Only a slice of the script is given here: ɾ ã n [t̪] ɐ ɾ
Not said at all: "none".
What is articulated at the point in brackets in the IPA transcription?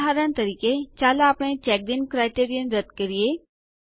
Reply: t̪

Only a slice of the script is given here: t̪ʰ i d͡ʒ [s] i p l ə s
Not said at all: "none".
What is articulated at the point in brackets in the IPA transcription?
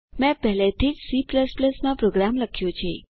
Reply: s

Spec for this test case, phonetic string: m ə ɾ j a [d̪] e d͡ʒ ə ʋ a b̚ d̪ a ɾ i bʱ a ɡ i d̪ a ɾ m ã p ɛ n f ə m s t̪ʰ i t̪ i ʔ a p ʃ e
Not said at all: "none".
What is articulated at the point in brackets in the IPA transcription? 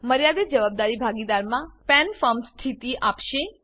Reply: d̪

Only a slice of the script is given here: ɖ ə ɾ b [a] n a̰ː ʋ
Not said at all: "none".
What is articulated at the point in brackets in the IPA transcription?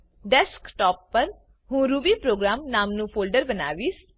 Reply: ə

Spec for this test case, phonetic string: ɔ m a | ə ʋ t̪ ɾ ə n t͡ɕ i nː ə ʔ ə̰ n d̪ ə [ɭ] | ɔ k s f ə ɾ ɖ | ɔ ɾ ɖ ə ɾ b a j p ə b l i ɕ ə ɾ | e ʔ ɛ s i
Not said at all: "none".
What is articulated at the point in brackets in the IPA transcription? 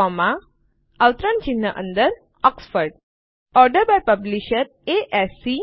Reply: ɾ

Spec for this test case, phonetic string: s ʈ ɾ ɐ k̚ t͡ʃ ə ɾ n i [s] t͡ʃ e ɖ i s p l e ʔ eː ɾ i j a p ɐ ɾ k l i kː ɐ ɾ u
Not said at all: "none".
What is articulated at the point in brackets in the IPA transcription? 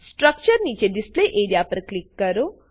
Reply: none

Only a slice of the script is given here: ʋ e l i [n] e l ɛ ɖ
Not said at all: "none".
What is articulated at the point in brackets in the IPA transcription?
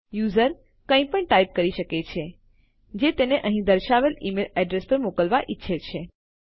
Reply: m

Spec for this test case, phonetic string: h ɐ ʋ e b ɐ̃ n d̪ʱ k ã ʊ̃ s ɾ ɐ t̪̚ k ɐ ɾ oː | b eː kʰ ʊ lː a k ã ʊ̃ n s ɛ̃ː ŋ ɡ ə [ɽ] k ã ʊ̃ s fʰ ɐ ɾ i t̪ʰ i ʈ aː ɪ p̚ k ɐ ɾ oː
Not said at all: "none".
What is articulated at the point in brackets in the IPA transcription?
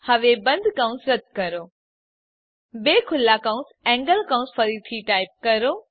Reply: l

